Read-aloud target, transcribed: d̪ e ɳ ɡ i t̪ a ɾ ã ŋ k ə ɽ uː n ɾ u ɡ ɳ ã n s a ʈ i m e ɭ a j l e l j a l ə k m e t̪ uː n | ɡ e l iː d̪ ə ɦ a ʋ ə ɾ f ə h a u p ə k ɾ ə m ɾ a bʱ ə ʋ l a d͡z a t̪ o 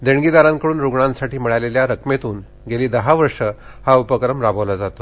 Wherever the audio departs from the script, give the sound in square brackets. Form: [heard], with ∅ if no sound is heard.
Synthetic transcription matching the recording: d̪ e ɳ ɡ i [d̪] a ɾ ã ŋ k ə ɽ uː n ɾ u ɡ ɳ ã n s a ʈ [iː] m [i] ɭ a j l e l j a [ɾ] ə k m e t̪ uː n | ɡ e l iː d̪ ə ɦ a ʋ ə ɾ [ʂ] ə h a u p ə k ɾ ə m ɾ a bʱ ə ʋ l a d͡z a t̪ o

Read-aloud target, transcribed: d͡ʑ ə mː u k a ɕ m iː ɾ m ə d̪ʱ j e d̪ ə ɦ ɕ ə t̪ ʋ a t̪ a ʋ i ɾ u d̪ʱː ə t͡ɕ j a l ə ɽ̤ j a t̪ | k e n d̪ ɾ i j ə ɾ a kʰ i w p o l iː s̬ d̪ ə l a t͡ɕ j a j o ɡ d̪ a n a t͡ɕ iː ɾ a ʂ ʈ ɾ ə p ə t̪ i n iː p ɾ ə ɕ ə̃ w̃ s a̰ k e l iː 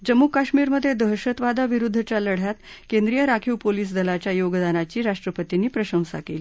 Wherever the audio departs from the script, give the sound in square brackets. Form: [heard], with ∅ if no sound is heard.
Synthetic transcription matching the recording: d͡ʑ ə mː u k a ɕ m iː ɾ m ə d̪ʱ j e d̪ ə ɦ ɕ ə t̪ ʋ a [d̪] a ʋ i ɾ u d̪ʱː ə t͡ɕ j a l ə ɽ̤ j a t̪ | k e n d̪ ɾ i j ə ɾ a kʰ i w p o l iː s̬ d̪ ə l a t͡ɕ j a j o ɡ d̪ a n a t͡ɕ iː ɾ a ʂ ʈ ɾ ə p ə t̪ i n iː p ɾ ə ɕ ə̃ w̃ s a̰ k e l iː

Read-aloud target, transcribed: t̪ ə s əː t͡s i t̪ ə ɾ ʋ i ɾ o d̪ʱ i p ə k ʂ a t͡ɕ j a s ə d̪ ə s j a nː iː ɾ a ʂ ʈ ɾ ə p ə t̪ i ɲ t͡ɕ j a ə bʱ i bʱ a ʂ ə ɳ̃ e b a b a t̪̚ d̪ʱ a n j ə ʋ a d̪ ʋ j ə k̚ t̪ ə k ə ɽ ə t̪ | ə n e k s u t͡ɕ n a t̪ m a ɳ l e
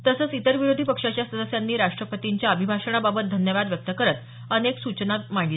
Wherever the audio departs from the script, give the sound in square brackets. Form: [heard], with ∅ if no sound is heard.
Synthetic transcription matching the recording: t̪ ə s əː t͡s i t̪ ə ɾ ʋ i ɾ o d̪ʱ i p ə k ʂ a t͡ɕ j a s ə d̪ ə s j a nː iː ɾ a ʂ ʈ ɾ ə p ə t̪ i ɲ t͡ɕ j a ə bʱ i bʱ a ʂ ə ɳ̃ [a] b a b [ə] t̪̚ d̪ʱ [ə] n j ə ʋ a d̪ ʋ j ə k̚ t̪ ə k ə [ɾ] ə t̪ | ə n e k s u t͡ɕ n a t̪ m a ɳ l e

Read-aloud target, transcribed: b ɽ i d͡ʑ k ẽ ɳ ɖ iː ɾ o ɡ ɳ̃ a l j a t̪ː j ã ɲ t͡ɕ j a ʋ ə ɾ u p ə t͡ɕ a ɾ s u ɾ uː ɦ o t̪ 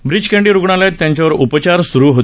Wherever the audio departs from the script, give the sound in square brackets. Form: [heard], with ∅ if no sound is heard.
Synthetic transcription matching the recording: b [ɾ] i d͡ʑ k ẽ ɳ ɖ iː ɾ [u] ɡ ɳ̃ a l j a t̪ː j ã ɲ t͡ɕ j a ʋ ə ɾ u p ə t͡ɕ a ɾ s u ɾ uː ɦ o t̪

